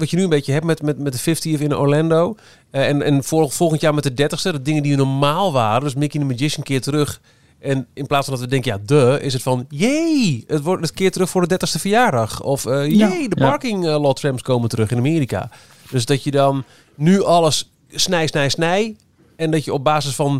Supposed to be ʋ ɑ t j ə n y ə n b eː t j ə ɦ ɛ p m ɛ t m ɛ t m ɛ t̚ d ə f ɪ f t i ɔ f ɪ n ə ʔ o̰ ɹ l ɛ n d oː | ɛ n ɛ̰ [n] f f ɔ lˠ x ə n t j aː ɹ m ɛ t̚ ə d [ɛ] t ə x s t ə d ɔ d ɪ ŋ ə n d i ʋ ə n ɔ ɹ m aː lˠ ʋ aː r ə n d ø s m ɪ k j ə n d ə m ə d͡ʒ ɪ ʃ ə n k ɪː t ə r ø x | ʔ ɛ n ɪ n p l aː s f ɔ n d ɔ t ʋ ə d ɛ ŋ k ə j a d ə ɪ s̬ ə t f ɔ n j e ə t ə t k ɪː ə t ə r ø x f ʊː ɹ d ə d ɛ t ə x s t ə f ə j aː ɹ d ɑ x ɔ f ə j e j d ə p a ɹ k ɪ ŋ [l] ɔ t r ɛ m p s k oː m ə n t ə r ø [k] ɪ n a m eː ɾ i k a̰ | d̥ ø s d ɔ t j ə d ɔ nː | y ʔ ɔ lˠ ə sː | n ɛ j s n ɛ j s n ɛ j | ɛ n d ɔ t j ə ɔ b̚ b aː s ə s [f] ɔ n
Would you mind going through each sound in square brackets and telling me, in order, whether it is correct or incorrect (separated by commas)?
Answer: correct, correct, correct, incorrect, correct